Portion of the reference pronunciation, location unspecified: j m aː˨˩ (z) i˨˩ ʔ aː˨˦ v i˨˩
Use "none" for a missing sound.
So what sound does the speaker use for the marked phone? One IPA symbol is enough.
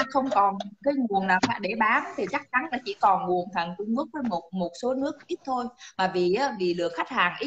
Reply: v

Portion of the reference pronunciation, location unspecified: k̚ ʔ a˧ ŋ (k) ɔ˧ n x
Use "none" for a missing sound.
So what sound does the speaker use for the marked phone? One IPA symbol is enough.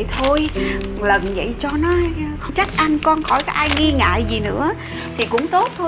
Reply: k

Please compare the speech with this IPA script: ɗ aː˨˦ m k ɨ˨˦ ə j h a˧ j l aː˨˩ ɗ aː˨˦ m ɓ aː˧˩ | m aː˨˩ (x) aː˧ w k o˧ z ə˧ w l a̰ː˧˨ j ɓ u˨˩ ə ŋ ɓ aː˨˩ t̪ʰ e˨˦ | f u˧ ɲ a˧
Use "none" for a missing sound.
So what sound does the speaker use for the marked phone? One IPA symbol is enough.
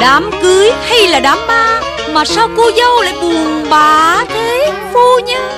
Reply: s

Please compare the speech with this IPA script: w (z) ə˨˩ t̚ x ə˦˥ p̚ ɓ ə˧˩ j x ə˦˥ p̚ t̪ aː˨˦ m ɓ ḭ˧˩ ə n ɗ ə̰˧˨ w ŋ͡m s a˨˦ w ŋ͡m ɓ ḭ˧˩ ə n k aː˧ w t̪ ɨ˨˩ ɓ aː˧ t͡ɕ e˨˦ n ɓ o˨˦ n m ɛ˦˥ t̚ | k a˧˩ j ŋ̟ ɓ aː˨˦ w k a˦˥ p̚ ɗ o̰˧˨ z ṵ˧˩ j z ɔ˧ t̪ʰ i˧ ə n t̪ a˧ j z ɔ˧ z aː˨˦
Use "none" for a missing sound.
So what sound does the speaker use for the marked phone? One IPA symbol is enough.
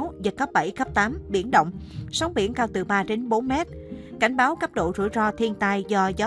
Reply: z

